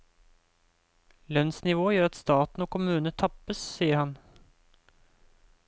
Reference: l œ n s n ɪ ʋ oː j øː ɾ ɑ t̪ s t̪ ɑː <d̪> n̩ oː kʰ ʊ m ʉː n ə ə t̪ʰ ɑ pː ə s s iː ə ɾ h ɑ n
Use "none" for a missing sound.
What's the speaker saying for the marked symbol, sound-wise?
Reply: t̪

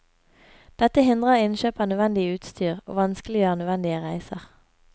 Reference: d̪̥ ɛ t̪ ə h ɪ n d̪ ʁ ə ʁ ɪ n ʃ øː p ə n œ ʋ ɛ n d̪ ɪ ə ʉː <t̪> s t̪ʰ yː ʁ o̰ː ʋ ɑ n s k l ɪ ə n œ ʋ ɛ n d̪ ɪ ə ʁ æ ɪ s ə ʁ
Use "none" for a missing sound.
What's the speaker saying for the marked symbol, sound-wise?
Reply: t̪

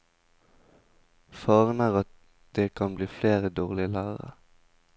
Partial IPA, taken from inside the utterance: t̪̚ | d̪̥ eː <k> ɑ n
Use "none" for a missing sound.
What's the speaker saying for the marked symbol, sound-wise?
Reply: kʰ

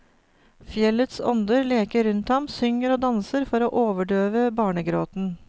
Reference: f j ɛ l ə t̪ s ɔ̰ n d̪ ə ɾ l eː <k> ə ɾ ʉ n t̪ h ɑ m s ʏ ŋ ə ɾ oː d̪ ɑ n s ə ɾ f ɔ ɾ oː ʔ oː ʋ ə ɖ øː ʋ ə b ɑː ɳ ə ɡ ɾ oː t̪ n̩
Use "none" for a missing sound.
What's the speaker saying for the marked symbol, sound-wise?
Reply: k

